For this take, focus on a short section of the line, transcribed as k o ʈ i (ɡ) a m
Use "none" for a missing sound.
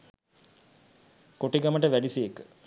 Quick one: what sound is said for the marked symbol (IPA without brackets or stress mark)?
ɡ